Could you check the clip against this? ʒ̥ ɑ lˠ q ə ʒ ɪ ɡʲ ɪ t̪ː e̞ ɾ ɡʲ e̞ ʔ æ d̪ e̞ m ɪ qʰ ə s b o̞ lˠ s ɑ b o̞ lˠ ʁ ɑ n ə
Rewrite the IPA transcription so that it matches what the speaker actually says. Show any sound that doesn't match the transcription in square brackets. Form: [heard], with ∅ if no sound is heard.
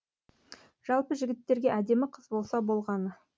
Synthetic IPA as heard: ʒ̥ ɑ lˠ [p] ə ʒ ɪ ɡʲ ɪ t̪ː e̞ ɾ ɡʲ e̞ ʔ æ d̪ e̞ m ɪ qʰ ə [z] b o̞ lˠ s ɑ b o̞ lˠ ʁ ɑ n ə